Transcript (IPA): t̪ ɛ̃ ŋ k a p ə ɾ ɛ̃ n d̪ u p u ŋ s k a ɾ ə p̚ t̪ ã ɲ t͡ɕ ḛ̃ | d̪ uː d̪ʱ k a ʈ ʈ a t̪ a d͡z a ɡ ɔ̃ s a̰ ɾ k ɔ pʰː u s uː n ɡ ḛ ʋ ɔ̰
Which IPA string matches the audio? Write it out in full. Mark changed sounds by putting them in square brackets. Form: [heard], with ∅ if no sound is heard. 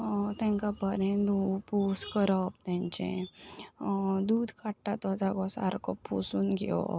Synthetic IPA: t̪ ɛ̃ ŋ k a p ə ɾ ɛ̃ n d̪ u p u [∅] s k [ə] ɾ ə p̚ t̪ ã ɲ t͡ɕ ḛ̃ | d̪ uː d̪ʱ k a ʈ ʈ a t̪ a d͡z a ɡ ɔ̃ s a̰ ɾ k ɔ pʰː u s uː n ɡ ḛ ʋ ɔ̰